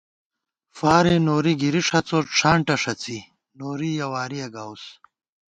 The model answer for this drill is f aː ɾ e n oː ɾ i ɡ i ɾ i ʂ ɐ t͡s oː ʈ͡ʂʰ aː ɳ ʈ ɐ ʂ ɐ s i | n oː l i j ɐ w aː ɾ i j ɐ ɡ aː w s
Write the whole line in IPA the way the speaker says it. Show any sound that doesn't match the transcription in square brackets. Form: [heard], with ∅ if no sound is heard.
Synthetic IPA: f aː ɾ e n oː ɾ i ɡ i ɾ i ʂ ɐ t͡s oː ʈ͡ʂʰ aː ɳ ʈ ɐ ʂ ɐ [t͡s] i | n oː [ɾ] i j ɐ w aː ɾ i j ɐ ɡ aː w s